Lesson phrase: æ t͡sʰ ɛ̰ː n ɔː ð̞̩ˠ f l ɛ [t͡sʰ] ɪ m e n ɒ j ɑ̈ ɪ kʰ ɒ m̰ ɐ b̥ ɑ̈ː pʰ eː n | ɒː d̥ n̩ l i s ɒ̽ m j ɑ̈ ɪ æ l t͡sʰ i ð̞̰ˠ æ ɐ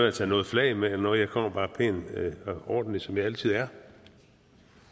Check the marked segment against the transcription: incorrect: none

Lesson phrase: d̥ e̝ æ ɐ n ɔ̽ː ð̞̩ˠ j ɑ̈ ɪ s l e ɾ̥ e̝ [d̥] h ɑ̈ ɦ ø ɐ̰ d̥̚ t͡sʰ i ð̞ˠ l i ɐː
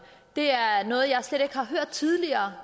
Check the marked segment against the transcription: incorrect: ɡ̥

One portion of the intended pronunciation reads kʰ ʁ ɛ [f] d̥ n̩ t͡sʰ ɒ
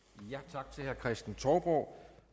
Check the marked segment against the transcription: incorrect: s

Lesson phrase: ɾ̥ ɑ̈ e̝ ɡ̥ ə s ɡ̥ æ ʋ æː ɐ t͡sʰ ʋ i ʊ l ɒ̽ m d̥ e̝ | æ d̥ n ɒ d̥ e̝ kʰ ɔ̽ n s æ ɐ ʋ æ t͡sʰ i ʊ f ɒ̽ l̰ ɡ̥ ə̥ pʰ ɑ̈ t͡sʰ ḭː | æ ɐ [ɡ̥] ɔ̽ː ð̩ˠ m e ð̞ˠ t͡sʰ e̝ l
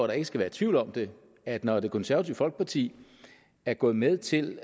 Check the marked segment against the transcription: correct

